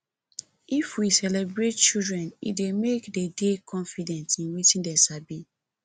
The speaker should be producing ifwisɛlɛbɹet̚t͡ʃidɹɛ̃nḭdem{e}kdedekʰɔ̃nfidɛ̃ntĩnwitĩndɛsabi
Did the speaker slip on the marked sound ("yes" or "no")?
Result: no